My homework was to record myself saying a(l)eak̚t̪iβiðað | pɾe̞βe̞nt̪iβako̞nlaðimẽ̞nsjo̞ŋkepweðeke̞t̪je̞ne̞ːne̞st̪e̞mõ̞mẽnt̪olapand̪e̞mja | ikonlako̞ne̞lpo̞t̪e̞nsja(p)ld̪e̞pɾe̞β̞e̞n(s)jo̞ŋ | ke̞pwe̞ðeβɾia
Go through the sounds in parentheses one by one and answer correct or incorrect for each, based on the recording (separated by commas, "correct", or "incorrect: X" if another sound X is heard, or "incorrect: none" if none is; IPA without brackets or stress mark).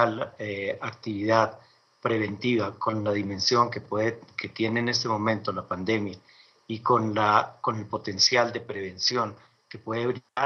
correct, incorrect: none, correct